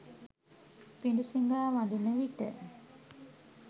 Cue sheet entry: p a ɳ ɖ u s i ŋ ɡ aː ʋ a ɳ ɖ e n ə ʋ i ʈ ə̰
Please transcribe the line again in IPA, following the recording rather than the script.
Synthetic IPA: p i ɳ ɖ u s i ŋ ɡ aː ʋ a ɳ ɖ i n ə ʋ i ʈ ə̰